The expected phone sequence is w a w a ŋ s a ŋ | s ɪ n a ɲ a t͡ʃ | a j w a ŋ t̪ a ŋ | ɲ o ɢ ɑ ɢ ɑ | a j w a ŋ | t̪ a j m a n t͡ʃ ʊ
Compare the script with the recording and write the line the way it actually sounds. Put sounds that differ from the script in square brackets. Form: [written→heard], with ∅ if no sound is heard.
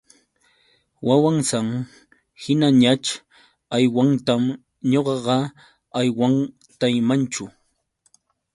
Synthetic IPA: w a w a ŋ s a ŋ | [s→h] ɪ n a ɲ a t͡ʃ | a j w a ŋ t̪ a [ŋ→m] | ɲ o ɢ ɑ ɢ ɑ | a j w a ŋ | t̪ a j m a n t͡ʃ ʊ

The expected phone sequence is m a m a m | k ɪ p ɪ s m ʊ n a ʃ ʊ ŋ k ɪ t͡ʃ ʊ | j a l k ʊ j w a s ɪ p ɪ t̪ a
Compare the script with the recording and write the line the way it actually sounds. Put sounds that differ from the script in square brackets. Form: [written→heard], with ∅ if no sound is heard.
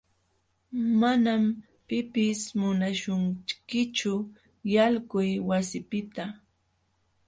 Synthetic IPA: m a [m→n] a m | [k→p] ɪ p ɪ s m ʊ n a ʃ ʊ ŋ k ɪ t͡ʃ ʊ | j a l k ʊ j w a s ɪ p ɪ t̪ a

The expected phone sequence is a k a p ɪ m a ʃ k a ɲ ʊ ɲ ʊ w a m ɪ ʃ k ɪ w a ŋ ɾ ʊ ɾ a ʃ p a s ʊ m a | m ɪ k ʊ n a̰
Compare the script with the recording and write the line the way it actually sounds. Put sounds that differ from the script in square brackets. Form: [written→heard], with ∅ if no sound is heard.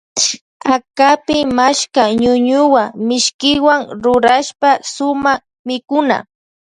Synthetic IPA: a k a p ɪ m a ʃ k a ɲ ʊ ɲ ʊ w a m ɪ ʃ k ɪ w a ŋ ɾ ʊ ɾ a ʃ p a s ʊ m a | m ɪ k ʊ n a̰

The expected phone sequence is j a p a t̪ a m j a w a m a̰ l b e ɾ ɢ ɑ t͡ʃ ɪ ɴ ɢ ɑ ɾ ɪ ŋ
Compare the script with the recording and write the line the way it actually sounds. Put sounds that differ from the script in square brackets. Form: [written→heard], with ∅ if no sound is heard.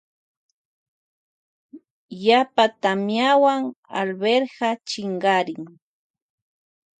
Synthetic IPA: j a p a t̪ a m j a w a [m→ŋ] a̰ l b e ɾ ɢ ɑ t͡ʃ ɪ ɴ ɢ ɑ ɾ ɪ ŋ

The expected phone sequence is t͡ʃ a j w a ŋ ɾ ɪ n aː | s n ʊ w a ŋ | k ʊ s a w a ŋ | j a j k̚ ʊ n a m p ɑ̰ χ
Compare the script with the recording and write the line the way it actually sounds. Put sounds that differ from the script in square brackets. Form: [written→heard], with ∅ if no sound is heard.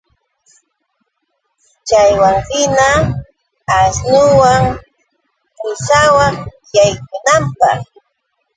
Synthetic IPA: t͡ʃ a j w a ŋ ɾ ɪ n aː | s n ʊ w a ŋ | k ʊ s a w a ŋ | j a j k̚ ʊ n a m p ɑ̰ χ

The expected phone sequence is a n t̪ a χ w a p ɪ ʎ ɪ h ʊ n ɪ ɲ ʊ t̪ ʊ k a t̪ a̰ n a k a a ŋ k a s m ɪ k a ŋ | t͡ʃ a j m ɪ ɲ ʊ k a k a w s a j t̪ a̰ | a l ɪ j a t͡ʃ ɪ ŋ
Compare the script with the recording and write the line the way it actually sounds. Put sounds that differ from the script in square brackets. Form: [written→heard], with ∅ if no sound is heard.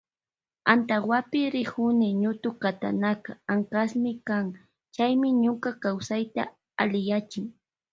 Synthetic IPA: a n t̪ a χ w a p ɪ [ʎ→ɾ] ɪ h ʊ n ɪ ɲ ʊ t̪ ʊ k a t̪ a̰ n a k a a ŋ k a s m ɪ k a ŋ | t͡ʃ a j m ɪ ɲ ʊ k a k a w s a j t̪ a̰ | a l ɪ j a t͡ʃ ɪ ŋ

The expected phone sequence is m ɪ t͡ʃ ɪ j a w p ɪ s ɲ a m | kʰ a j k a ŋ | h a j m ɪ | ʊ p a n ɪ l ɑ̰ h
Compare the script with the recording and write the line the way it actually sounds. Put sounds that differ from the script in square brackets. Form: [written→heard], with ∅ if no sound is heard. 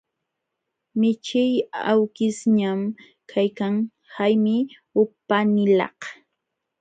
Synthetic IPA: m ɪ t͡ʃ ɪ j a w [p→k] ɪ s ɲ a m | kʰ a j k a ŋ | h a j m ɪ | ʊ p a n ɪ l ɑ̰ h

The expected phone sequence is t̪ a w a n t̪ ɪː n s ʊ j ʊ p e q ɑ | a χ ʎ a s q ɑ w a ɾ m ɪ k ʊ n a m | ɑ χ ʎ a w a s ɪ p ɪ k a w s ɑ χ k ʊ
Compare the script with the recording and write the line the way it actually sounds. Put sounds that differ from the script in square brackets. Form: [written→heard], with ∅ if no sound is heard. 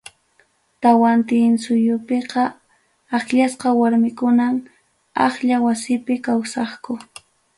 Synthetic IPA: t̪ a w a n t̪ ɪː n s ʊ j ʊ p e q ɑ | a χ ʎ a s q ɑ w a ɾ m ɪ k ʊ n a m | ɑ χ ʎ a w a s ɪ p ɪ k a w s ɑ χ k ʊ

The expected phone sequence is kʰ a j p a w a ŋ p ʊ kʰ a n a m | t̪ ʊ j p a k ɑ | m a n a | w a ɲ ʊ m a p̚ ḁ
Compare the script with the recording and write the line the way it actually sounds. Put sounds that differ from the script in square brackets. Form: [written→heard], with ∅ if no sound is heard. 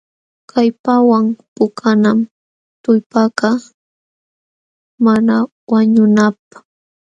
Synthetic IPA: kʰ a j p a w a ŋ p ʊ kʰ a n a m | t̪ ʊ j p a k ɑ | m a n a | w a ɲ ʊ [m→n] a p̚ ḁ

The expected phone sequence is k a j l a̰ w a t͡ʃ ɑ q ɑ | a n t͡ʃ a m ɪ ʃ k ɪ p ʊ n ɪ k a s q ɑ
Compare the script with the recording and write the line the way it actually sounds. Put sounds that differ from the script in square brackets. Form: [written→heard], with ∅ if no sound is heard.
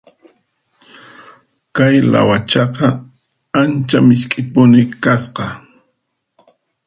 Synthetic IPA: k a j l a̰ w a t͡ʃ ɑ q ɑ | a n t͡ʃ a m ɪ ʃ [k→kʼ] ɪ p ʊ n ɪ k a s q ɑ

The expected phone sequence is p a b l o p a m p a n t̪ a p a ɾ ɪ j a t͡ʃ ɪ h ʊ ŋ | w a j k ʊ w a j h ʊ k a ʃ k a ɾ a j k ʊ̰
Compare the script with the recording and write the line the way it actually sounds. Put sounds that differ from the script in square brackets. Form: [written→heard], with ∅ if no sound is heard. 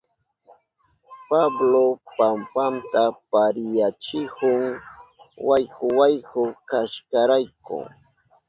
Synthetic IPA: p a b l o p a m p a n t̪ a p a ɾ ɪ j a t͡ʃ ɪ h ʊ ŋ | w a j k ʊ w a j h ʊ k a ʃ k a ɾ a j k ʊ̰

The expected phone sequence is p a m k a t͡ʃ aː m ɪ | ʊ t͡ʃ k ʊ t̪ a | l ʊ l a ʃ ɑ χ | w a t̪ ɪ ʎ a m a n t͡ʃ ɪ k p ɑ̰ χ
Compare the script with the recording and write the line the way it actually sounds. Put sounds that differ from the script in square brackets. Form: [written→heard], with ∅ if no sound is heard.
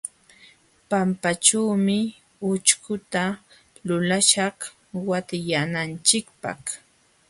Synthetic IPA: p a m [k→p] a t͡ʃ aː m ɪ | ʊ t͡ʃ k ʊ t̪ a | l ʊ l a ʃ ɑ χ | w a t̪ ɪ [ʎ→j] a [m→n] a n t͡ʃ ɪ k p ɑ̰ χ

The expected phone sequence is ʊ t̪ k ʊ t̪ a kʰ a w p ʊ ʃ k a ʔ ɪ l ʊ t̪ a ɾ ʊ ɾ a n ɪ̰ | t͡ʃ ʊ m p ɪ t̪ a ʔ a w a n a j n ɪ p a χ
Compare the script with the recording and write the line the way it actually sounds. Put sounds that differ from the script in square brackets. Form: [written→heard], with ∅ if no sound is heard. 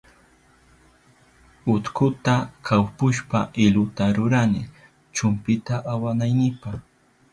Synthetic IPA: ʊ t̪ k ʊ t̪ a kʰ a w p ʊ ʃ [k→p] a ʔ ɪ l ʊ t̪ a ɾ ʊ ɾ a n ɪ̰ | t͡ʃ ʊ m p ɪ t̪ a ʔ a w a n a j n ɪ p a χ

